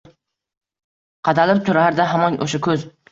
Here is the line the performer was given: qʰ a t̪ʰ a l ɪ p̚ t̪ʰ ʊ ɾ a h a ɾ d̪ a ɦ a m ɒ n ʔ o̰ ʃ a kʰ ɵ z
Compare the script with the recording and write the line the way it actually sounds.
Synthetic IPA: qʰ ɑ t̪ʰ a l ɪ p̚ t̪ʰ ʊ ɾ a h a ɾ d̪ a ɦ a m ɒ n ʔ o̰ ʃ a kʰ ɵ z